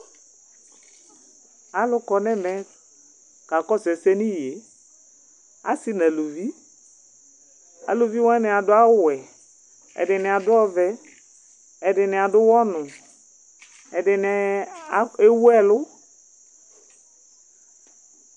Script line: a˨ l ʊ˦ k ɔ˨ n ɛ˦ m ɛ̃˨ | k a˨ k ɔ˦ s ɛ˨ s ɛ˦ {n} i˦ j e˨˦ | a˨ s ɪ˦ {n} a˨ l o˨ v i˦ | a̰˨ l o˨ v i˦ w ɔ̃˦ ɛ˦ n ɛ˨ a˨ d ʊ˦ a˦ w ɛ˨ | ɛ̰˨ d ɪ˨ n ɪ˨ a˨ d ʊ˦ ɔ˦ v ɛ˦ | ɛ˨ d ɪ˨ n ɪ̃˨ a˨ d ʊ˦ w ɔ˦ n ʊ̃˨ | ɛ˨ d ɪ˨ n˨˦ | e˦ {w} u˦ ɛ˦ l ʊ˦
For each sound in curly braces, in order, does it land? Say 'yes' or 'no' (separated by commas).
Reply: yes, yes, yes